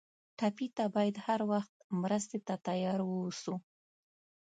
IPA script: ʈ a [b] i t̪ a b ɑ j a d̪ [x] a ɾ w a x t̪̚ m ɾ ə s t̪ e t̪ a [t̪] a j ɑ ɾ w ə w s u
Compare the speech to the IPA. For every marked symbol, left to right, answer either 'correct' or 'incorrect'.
incorrect, incorrect, correct

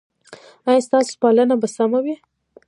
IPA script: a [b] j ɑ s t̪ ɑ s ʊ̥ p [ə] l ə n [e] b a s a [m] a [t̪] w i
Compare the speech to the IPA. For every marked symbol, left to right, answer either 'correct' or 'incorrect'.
incorrect, incorrect, incorrect, correct, incorrect

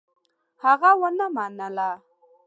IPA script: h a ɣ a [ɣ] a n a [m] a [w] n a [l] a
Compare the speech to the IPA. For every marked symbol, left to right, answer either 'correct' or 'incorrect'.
incorrect, correct, incorrect, correct

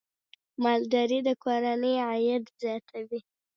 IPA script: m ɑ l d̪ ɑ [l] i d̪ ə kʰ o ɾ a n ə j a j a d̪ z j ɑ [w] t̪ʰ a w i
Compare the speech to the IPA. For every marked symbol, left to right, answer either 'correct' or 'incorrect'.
incorrect, incorrect

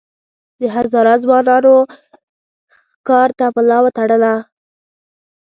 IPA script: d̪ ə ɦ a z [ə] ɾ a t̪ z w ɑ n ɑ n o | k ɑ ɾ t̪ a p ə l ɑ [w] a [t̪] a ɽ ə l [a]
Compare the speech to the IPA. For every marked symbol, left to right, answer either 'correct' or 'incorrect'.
incorrect, correct, correct, correct

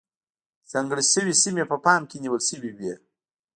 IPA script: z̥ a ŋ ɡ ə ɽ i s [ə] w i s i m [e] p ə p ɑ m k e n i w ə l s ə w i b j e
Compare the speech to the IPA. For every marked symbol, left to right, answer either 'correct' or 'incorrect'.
correct, correct

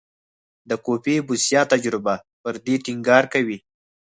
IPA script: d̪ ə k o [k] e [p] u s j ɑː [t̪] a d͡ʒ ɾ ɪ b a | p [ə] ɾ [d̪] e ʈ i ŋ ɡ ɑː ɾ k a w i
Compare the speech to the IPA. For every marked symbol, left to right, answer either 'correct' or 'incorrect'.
incorrect, incorrect, correct, correct, correct

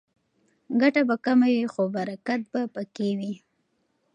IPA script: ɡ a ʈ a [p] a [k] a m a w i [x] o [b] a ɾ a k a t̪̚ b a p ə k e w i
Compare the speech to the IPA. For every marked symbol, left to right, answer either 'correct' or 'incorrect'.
incorrect, correct, correct, correct

